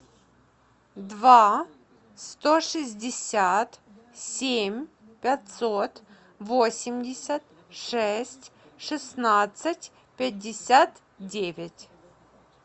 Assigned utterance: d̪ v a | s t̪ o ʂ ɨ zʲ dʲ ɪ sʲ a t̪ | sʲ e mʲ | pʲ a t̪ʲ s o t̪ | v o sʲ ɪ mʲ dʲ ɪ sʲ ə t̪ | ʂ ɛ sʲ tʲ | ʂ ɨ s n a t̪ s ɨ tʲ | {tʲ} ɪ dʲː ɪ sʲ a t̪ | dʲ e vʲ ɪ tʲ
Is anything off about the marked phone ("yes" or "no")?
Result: yes